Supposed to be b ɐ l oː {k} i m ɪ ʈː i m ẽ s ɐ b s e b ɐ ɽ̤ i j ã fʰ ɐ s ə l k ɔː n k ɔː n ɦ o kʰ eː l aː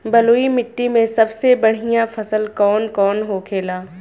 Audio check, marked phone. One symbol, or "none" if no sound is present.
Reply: none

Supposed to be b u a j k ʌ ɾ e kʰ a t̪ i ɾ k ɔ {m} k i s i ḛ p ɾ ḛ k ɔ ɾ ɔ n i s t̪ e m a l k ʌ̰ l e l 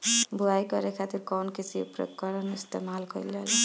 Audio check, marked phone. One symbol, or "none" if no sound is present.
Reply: n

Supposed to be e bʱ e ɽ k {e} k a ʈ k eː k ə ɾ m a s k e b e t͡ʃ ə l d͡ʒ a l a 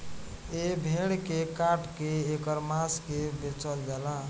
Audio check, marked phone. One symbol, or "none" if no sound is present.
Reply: e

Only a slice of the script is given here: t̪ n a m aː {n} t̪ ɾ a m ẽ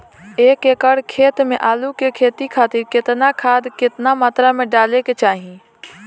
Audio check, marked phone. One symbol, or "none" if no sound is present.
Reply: none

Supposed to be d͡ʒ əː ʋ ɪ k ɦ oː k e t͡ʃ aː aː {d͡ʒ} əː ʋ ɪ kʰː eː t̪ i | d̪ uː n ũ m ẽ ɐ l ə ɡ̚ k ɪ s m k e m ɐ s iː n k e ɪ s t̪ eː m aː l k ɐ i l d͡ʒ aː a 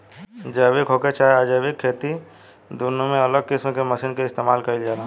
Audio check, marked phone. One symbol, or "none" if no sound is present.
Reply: d͡ʒ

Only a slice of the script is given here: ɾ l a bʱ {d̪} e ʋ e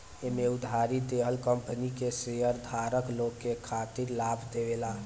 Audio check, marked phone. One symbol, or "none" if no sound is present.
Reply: d̪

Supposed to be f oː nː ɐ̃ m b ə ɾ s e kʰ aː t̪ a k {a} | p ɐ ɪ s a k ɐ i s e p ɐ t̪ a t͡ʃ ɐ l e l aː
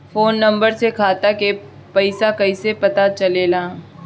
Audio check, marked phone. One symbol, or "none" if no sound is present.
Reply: e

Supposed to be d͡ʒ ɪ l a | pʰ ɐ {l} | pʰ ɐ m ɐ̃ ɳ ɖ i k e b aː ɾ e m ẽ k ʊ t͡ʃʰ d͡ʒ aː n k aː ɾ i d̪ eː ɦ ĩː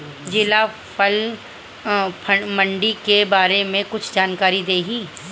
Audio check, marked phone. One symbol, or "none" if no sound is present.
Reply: l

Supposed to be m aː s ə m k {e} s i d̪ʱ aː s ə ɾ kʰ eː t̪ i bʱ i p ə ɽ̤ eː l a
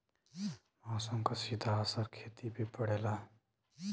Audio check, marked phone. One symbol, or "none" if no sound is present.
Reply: a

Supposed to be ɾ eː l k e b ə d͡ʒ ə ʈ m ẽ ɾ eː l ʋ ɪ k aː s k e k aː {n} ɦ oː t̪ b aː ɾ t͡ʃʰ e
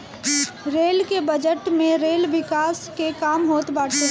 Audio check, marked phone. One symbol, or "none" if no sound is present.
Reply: m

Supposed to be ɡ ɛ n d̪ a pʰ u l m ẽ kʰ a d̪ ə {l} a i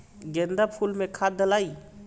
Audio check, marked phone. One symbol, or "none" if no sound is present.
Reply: l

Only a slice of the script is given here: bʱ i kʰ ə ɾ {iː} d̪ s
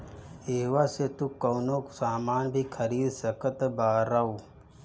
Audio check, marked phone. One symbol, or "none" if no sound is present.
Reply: iː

